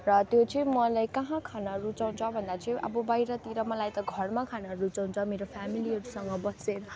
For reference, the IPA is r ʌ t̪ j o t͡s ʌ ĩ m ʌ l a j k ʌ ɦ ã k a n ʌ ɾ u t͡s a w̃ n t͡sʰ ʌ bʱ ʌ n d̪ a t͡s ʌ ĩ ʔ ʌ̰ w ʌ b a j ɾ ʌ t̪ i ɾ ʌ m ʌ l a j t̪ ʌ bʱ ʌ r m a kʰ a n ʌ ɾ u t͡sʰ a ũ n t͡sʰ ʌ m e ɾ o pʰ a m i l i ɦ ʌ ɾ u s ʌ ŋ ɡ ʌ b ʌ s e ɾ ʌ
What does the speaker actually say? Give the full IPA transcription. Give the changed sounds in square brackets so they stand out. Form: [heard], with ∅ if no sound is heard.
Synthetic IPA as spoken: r ʌ t̪ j o t͡s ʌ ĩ m ʌ l a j k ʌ ɦ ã [kʰ] a n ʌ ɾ u t͡s a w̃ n t͡sʰ ʌ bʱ ʌ n d̪ a t͡s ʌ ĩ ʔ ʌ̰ [b] ʌ b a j ɾ ʌ t̪ i ɾ ʌ m ʌ l a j t̪ ʌ [ɡʱ] ʌ r m a kʰ a n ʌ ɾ u [t͡s] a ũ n t͡sʰ ʌ m e ɾ o pʰ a m i l i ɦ ʌ ɾ u s ʌ ŋ ɡ ʌ b ʌ s e ɾ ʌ